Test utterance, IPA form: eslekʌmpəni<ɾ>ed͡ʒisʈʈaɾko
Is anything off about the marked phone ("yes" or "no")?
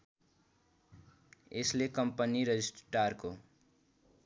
no